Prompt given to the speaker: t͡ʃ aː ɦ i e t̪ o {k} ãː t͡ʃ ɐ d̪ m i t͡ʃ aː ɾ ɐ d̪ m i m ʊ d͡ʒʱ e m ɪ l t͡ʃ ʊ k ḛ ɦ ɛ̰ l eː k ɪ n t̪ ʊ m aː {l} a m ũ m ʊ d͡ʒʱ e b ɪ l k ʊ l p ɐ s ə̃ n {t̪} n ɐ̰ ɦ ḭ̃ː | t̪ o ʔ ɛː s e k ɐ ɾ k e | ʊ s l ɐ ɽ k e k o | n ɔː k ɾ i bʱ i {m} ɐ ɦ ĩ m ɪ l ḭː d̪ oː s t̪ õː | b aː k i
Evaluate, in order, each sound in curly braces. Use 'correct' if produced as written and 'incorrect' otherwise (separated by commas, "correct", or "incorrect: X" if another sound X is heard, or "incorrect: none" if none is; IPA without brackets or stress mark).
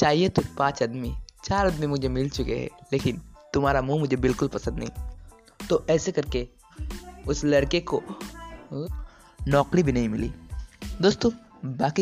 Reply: incorrect: p, incorrect: ɾ, incorrect: d̪, incorrect: n